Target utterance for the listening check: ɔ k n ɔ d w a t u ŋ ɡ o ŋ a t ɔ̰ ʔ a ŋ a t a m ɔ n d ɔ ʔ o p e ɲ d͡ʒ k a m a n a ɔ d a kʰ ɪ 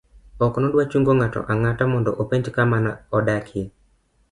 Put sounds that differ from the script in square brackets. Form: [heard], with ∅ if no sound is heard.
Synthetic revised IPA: ɔ k n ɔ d w a [t͡ʃ] u ŋ ɡ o ŋ a t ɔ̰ ʔ a ŋ a t a m ɔ n d ɔ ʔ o p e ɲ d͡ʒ k a m a n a ɔ d a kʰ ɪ